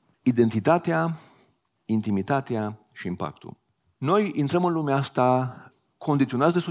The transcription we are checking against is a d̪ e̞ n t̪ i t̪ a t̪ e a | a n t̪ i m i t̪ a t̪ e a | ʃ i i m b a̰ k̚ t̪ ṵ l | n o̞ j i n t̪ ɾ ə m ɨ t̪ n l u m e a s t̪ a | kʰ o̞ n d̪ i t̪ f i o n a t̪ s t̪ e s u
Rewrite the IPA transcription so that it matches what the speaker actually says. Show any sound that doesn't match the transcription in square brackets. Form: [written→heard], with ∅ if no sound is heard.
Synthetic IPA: [a→i] d̪ e̞ n t̪ i t̪ a t̪ e a | [a→i] n t̪ i m i t̪ a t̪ e a | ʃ i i m [b→p] a̰ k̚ t̪ ṵ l | n o̞ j i n t̪ ɾ ə m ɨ [t̪→∅] n l u m e a s t̪ a | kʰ o̞ n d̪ i t̪ [f→s] i o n a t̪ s [t̪→d̪] e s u